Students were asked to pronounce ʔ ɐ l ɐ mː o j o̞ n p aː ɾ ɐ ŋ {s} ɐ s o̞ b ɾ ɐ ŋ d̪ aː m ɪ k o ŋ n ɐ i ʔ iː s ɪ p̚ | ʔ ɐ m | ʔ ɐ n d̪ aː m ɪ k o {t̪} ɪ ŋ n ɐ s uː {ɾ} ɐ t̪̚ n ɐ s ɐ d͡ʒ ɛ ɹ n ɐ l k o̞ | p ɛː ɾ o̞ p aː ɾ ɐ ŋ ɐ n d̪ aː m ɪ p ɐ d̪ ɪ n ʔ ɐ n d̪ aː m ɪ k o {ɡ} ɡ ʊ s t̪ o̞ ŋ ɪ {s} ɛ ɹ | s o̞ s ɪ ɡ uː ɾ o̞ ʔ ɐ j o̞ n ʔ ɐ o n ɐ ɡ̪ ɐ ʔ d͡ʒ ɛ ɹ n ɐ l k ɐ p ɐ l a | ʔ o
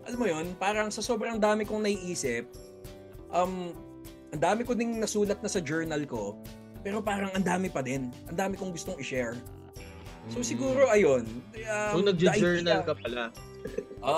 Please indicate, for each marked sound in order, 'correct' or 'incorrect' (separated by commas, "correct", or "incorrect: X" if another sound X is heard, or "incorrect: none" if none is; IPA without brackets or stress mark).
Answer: correct, incorrect: d̪, incorrect: l, incorrect: ŋ, incorrect: ʃ